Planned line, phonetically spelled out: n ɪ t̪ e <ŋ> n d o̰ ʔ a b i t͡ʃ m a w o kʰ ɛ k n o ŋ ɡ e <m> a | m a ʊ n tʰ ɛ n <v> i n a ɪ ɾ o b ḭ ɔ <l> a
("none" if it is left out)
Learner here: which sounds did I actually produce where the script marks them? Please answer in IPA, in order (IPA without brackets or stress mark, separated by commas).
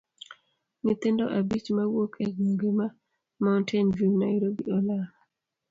none, m, v, l